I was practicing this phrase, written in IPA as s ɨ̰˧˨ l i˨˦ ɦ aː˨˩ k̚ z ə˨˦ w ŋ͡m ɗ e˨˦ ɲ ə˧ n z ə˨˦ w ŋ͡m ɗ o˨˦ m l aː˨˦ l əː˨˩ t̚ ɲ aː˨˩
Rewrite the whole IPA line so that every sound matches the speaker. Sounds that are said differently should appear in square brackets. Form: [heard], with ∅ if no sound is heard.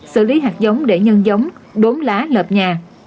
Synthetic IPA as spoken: s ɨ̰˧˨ l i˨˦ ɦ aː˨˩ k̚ z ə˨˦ w ŋ͡m ɗ [e˧˩] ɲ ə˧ n z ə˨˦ w ŋ͡m ɗ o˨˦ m l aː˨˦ l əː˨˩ [p̚] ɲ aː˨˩